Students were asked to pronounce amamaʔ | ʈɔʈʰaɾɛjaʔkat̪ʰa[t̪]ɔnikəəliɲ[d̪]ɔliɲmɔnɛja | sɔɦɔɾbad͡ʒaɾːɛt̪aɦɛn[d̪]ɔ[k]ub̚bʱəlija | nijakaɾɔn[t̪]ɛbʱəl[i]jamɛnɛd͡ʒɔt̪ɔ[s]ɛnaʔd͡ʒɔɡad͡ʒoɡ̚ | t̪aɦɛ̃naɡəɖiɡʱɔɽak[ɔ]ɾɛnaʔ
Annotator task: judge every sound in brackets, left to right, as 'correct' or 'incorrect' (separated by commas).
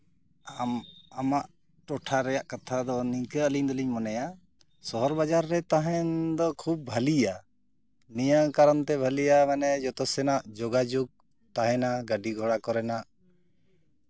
incorrect, correct, correct, incorrect, correct, correct, correct, correct